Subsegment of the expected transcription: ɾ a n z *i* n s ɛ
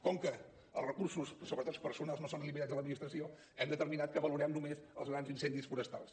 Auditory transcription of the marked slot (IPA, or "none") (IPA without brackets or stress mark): i